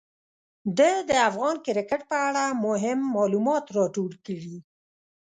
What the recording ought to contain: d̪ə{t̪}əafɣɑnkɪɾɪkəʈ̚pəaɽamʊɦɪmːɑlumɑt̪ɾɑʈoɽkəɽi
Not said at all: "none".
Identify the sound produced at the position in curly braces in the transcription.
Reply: d̪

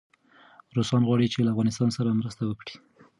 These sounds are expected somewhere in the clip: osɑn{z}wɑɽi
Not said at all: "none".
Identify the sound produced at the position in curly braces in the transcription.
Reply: ɣ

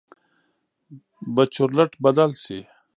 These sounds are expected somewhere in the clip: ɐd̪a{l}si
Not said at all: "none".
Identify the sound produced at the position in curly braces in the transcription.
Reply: l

